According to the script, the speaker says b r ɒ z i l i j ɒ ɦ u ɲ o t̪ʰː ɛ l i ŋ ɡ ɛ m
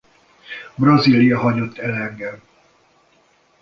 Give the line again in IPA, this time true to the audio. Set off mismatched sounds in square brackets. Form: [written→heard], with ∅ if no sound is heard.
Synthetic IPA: b r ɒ z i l i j ɒ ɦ [u→ɒ] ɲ o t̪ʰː ɛ l [i→ɛ] ŋ ɡ ɛ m

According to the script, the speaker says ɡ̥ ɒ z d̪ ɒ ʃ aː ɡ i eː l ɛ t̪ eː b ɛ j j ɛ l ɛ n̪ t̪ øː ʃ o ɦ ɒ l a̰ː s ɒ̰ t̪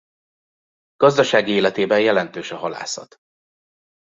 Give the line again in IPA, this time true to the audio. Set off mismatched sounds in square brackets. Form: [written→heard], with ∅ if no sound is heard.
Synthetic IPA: ɡ̥ ɒ z d̪ ɒ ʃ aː ɡ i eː l ɛ t̪ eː b ɛ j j ɛ l ɛ n̪ t̪ øː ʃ [o→ɒ] ɦ ɒ l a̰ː s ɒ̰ t̪

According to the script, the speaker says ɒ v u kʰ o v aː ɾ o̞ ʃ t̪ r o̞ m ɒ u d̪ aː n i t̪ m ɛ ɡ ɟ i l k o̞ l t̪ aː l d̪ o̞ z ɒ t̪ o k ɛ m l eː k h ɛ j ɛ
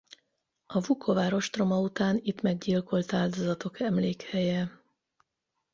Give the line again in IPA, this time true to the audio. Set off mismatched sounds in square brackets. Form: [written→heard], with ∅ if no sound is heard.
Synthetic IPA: ɒ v u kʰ o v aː ɾ o̞ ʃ t̪ r o̞ m ɒ u [d̪→t̪] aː n i t̪ m ɛ ɡ ɟ i l k o̞ l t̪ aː l d̪ o̞ z ɒ t̪ o k ɛ m l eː k h ɛ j ɛ

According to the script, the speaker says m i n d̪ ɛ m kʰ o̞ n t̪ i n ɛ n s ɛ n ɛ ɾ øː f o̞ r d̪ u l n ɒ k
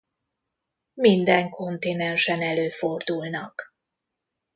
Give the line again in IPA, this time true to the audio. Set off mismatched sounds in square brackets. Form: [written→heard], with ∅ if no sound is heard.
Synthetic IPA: m i n d̪ ɛ [m→ŋ] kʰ o̞ n t̪ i n ɛ n [s→ʃ] ɛ n ɛ [ɾ→l] øː f o̞ r d̪ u l n ɒ k

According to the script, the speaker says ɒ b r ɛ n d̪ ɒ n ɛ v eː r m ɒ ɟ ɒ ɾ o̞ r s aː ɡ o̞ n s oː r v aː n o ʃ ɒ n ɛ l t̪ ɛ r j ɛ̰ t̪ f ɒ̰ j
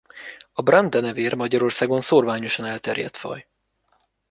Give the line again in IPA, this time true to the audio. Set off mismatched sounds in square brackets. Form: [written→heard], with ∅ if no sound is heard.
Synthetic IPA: ɒ b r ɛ n d̪ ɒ n ɛ v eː r m ɒ ɟ ɒ ɾ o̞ r s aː ɡ o̞ n s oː r v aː [n→ɲ] o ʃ ɒ n ɛ l t̪ ɛ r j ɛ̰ t̪ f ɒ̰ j

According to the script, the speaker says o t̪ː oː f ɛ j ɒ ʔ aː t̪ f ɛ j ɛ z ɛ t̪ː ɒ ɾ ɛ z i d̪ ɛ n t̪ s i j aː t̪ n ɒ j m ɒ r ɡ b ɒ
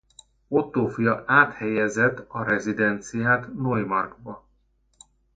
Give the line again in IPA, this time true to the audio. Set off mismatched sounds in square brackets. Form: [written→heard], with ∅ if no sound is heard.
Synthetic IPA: o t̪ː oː f [ɛ→i] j ɒ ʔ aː t̪ [f→h] ɛ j ɛ z ɛ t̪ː ɒ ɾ ɛ z i d̪ ɛ n t̪ s i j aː t̪ n [ɒ→o] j m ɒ r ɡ b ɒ

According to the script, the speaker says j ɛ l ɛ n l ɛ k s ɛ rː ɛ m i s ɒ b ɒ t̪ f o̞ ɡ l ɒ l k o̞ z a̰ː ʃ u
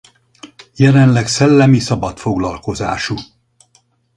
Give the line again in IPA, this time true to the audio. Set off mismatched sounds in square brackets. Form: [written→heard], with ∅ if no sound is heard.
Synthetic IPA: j ɛ l ɛ n l ɛ k s ɛ [rː→lː] ɛ m i s ɒ b ɒ t̪ f o̞ ɡ l ɒ l k o̞ z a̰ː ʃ u

